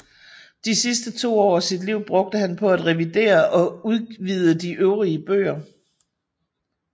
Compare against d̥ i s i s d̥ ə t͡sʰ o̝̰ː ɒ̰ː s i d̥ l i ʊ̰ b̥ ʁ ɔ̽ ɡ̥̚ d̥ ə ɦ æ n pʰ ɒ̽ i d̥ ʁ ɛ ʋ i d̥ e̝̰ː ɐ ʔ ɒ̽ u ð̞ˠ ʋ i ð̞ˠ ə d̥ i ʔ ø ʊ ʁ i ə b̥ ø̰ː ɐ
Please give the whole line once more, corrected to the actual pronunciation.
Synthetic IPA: d̥ i s i s d̥ ə t͡sʰ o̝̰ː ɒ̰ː s i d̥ l i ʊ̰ b̥ ʁ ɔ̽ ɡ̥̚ d̥ ə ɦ æ n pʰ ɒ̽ æ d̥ ʁ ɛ ʋ i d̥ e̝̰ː ɐ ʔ ɒ̽ u ð̞ˠ ʋ i ð̞ˠ ə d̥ i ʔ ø ʊ ʁ i ə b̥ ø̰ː ɐ

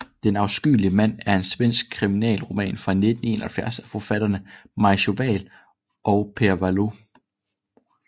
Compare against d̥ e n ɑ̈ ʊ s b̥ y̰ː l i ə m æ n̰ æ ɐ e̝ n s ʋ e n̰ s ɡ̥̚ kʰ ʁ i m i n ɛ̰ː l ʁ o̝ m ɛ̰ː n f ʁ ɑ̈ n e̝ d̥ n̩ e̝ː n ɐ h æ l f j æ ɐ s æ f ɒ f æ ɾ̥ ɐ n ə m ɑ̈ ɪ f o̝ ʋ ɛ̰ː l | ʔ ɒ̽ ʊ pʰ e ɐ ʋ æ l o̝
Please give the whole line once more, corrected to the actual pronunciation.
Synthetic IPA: d̥ e n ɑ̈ ʊ s ɡ̥ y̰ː l i ə m æ n̰ æ ɐ e̝ n s ʋ e n̰ s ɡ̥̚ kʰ ʁ i m i n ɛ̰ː l ʁ o̝ m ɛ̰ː n f ʁ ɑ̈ n e̝ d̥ n̩ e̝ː n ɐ h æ l f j æ ɐ s æ f ɒ f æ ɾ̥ ɐ n ə m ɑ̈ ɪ ɕ o̝ ʋ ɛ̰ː l | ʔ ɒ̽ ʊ pʰ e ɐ ʋ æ l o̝

